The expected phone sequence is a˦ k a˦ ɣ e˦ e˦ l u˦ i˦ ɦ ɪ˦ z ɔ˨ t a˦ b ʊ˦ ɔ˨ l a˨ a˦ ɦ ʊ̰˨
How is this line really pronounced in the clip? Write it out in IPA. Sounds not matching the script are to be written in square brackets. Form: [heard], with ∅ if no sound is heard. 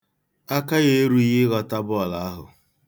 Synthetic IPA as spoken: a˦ k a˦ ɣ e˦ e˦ [ɾ] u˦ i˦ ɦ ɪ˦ [ɣ] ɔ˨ t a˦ b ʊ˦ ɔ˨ l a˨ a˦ ɦ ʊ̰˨